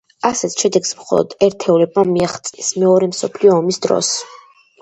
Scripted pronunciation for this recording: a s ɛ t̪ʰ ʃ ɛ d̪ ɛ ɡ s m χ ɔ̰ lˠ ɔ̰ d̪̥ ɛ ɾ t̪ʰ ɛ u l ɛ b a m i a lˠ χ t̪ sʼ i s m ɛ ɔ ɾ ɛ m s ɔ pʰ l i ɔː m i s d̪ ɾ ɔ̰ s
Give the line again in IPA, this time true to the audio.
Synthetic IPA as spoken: a s ɛ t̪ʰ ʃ ɛ d̪ ɛ ɡ s m χ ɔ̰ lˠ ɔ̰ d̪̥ ɛ ɾ t̪ʰ ɛ u l ɛ b a m i a χ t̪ sʼ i s m ɛ ɔ ɾ ɛ m s ɔ pʰ l i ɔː m i s d̪ ɾ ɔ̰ s